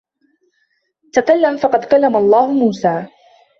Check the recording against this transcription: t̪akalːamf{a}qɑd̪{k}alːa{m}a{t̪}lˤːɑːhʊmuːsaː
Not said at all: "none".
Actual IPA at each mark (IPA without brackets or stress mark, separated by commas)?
ɑ, k, m, none